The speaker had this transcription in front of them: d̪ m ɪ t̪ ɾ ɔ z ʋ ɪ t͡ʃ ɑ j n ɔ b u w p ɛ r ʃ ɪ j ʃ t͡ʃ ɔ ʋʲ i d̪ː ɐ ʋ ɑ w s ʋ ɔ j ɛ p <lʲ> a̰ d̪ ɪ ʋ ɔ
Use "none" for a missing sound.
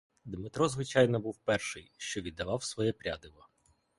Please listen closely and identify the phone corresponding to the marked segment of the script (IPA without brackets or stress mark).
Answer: ɾʲ